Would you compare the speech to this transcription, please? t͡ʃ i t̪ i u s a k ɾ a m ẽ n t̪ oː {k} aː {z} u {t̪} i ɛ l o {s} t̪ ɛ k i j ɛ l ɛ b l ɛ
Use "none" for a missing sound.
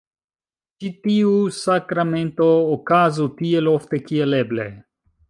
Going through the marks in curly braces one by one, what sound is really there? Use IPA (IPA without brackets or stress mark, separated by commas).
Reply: k, z, t̪, f